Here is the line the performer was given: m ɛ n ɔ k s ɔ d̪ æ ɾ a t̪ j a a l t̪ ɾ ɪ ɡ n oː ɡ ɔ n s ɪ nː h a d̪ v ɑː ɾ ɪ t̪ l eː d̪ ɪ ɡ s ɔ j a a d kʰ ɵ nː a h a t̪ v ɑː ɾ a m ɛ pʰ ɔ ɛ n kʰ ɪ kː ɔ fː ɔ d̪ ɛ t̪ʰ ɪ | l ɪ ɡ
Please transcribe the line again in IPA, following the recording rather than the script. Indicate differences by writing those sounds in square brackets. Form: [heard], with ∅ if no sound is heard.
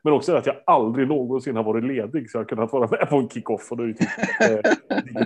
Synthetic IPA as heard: m ɛ n ɔ k s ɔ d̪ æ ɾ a t̪ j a a l [d̪] ɾ ɪ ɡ n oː ɡ ɔ n s ɪ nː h a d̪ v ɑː ɾ ɪ t̪ l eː d̪ ɪ ɡ s ɔ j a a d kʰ ɵ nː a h a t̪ v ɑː ɾ a m ɛ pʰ ɔ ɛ n kʰ ɪ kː ɔ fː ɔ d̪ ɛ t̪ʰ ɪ | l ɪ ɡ